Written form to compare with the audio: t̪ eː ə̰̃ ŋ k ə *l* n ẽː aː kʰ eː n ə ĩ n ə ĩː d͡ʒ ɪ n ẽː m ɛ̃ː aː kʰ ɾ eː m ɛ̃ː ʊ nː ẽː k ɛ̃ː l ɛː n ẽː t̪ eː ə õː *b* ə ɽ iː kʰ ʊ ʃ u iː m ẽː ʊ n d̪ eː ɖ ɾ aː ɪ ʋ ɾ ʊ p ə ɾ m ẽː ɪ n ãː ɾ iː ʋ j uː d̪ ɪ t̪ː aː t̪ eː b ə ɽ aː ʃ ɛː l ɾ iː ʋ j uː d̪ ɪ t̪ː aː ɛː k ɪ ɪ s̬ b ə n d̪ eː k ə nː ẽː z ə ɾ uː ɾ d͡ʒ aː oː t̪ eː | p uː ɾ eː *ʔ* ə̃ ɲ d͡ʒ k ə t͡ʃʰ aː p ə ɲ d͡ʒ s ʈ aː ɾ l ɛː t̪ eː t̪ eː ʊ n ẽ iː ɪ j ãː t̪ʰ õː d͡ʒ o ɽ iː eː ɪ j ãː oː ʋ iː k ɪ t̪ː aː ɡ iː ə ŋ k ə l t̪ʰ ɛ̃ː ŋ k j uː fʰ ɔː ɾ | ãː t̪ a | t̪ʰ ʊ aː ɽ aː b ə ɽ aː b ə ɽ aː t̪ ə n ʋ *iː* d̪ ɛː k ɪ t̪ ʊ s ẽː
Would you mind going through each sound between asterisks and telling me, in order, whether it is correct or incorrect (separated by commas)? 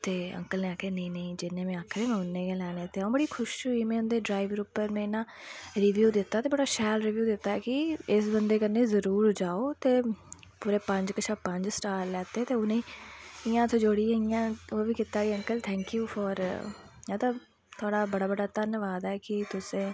correct, correct, incorrect, incorrect